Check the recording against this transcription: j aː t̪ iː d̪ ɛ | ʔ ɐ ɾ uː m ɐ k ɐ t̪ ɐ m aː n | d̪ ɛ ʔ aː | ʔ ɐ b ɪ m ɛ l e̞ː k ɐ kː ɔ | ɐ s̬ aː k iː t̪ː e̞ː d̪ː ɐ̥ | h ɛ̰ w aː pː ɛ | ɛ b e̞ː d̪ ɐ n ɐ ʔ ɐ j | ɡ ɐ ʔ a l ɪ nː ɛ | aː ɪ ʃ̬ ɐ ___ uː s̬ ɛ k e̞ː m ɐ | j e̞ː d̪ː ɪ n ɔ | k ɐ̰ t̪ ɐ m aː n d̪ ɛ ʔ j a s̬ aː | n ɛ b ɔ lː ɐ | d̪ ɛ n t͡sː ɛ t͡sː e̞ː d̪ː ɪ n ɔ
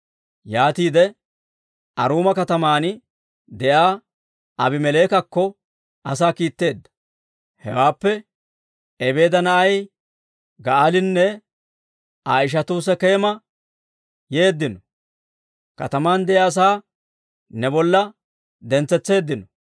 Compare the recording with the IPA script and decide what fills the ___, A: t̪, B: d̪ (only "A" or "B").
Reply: A